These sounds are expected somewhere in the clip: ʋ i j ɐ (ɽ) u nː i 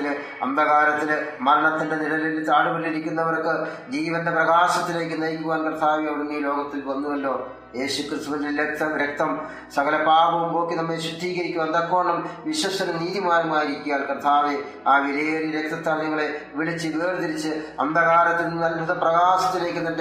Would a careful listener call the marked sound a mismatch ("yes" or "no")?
no